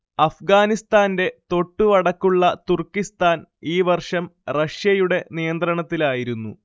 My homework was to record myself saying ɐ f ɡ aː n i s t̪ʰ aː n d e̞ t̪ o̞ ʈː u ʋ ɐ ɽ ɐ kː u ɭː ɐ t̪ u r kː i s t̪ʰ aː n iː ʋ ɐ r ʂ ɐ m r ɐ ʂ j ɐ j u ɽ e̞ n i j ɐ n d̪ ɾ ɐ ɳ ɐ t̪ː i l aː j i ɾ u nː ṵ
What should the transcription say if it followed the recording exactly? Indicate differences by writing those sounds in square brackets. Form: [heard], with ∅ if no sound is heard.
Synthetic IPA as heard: ɐ f ɡ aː n i s [t̪] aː n d e̞ t̪ o̞ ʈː u ʋ ɐ ɽ ɐ kː u ɭː ɐ t̪ u r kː i s [t̪] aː n iː ʋ ɐ r ʂ ɐ m r ɐ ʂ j ɐ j u ɽ e̞ n i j ɐ n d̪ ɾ ɐ ɳ ɐ t̪ː i l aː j i ɾ u nː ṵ